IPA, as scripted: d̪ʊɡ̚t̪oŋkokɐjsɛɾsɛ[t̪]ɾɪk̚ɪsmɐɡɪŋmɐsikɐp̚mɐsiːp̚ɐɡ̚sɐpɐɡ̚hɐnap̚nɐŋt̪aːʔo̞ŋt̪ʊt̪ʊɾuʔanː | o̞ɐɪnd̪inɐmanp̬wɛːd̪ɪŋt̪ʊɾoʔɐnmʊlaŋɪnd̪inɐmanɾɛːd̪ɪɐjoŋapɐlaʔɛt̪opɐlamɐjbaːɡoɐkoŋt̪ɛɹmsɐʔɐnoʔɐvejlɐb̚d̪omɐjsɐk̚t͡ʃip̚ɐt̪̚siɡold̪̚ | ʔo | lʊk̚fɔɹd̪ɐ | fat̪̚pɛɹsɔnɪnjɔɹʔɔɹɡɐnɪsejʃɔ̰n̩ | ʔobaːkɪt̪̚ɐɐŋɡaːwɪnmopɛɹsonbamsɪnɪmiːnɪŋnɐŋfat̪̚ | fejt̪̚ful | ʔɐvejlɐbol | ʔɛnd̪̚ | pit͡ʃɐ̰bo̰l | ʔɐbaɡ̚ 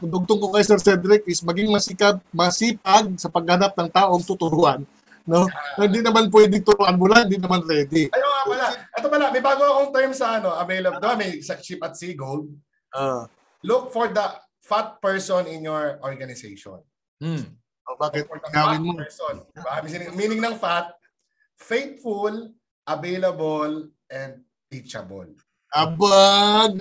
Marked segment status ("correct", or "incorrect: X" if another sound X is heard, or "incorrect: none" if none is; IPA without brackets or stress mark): incorrect: d̪